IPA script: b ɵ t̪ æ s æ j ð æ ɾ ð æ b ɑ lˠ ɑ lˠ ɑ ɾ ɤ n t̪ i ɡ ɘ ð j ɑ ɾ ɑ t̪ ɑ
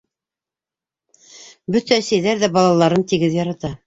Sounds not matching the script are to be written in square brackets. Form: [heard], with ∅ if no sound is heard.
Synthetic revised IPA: b ɵ t̪ æ s æ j ð æ ɾ ð æ b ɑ lˠ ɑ lˠ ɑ ɾ ɤ n t̪ i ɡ ɘ ð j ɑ ɾ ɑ t̪ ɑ